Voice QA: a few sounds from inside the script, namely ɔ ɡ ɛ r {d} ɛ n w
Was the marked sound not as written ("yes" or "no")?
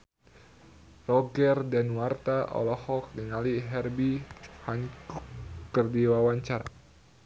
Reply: no